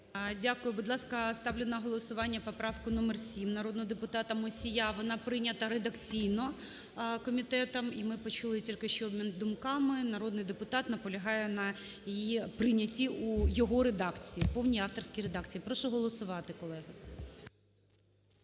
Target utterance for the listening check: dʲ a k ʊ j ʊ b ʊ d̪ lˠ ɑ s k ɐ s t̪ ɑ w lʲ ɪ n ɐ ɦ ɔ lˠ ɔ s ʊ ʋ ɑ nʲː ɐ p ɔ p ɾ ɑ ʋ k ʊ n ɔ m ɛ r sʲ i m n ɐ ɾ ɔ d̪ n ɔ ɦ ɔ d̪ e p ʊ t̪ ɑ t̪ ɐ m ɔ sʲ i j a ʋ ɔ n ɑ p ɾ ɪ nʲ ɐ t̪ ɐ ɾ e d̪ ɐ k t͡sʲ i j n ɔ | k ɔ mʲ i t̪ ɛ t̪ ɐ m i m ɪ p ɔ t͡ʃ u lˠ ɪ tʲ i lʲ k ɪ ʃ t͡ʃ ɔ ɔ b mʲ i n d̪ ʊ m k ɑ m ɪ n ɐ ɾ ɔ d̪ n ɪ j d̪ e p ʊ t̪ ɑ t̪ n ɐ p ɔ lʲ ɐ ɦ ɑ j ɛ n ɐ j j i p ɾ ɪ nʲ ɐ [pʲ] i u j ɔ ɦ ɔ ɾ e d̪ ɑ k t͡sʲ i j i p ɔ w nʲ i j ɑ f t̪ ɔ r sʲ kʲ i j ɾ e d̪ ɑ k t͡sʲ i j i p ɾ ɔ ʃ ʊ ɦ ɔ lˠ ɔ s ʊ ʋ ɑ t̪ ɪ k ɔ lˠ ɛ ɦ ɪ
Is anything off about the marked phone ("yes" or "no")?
yes